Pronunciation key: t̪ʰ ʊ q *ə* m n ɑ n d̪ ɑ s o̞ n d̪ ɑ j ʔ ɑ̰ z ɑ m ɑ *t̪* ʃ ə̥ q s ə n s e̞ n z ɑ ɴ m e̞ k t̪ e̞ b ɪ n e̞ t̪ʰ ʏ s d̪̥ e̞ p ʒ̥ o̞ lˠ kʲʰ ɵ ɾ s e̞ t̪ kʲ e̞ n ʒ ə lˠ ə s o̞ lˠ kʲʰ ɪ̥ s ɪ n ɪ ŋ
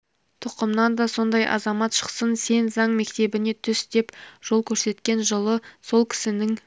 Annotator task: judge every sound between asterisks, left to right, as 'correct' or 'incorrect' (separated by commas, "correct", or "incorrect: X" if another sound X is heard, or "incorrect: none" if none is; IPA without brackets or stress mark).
correct, correct